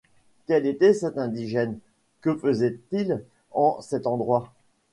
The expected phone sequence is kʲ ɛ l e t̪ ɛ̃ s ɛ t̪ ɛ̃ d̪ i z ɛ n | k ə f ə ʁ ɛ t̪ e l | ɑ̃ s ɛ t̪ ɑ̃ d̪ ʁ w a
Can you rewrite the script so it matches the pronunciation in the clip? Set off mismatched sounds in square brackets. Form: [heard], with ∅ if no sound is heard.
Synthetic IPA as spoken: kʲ ɛ l e t̪ [ɛ] s ɛ t̪ ɛ̃ d̪ i [ʒ] ɛ n | k ə f ə [z] ɛ t̪ [i] l | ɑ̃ s ɛ t̪ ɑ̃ d̪ ʁ w a